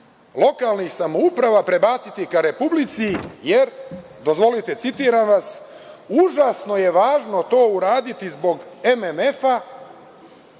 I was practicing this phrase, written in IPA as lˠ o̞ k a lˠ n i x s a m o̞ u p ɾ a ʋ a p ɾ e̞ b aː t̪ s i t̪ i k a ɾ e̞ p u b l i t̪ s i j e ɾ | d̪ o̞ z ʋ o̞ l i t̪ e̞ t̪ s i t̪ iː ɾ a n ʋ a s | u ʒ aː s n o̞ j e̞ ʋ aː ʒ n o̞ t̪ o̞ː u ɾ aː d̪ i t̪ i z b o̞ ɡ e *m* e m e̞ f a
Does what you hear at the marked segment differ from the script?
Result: no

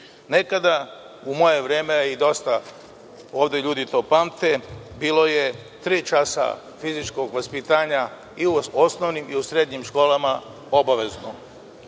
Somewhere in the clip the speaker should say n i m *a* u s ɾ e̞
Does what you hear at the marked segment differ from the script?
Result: yes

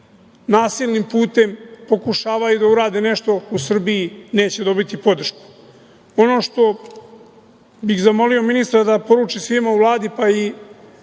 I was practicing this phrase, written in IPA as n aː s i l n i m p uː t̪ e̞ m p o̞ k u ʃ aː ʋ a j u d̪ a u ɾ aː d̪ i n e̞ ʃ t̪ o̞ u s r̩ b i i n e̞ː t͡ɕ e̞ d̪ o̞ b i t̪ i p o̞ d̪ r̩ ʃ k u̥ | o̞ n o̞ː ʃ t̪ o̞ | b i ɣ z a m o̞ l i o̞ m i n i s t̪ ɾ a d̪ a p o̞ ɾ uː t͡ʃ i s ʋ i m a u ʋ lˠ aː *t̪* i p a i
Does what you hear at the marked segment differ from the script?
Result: yes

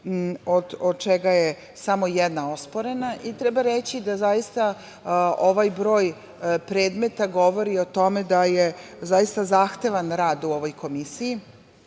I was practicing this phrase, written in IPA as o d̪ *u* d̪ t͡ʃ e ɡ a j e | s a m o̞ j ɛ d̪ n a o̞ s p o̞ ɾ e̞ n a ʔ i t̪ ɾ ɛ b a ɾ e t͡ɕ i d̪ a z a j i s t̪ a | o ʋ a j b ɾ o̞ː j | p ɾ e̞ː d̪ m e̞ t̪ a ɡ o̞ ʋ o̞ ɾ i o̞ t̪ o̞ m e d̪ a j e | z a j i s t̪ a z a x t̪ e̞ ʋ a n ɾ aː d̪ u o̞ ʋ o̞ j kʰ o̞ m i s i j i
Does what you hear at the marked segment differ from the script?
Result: yes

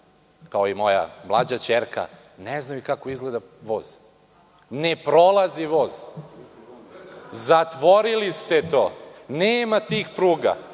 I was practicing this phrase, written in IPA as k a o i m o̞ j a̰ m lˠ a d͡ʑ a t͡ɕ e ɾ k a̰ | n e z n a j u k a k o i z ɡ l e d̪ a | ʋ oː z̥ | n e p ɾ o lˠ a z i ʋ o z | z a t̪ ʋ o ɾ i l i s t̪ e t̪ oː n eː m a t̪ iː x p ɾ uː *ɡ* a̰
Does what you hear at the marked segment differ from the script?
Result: no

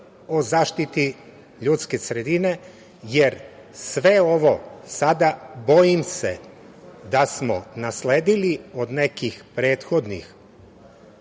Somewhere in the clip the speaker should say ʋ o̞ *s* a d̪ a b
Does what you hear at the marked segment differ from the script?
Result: no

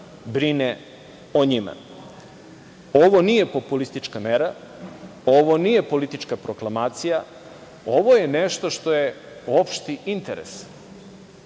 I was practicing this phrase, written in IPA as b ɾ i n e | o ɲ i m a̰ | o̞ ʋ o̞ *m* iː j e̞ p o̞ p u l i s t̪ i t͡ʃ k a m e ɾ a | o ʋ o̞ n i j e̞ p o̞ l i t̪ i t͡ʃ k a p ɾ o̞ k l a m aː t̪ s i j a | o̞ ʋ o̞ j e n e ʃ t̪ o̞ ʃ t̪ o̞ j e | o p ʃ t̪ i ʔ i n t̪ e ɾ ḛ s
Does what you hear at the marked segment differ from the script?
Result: yes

